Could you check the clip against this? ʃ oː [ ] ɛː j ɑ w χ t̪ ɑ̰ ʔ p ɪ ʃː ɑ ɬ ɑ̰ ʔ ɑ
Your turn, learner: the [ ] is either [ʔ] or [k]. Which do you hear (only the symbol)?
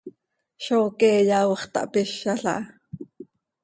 k